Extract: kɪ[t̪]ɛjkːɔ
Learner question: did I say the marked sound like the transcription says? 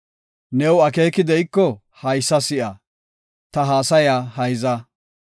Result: no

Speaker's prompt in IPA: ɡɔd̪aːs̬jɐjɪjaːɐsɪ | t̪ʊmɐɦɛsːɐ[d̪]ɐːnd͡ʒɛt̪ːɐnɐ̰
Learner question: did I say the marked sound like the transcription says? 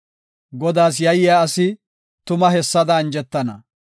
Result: yes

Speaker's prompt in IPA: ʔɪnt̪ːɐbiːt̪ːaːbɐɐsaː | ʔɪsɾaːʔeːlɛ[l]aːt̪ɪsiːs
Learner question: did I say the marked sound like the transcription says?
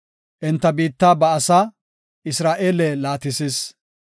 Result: yes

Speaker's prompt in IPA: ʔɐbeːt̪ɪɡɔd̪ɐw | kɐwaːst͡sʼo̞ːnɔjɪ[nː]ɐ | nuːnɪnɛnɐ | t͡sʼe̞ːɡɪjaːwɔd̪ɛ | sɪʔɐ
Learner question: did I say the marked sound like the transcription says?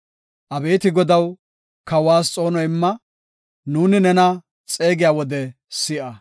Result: no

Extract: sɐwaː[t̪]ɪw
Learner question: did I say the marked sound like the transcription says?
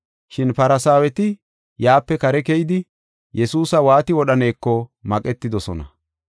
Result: yes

